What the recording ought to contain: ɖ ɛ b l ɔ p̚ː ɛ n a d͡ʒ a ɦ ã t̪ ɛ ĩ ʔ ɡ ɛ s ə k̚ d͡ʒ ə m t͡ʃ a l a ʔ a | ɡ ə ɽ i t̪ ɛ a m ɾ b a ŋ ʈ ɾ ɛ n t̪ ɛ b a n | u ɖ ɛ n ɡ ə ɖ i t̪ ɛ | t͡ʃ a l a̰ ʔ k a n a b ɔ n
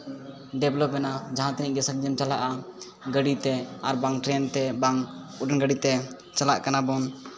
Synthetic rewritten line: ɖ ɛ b l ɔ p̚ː ɛ n a d͡ʒ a ɦ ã t̪ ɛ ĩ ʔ ɡ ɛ s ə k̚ d͡ʒ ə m t͡ʃ a l a ʔ a | ɡ ə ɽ i t̪ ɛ a ɾ b a ŋ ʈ ɾ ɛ n t̪ ɛ b a ŋ | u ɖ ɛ n ɡ ə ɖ i t̪ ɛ | t͡ʃ a l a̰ ʔ k a n a b ɔ n